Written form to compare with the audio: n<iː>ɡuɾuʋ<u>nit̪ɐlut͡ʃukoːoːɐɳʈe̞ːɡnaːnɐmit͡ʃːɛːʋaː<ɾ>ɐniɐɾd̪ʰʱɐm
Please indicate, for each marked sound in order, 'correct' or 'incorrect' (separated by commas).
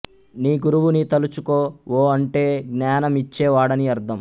correct, correct, incorrect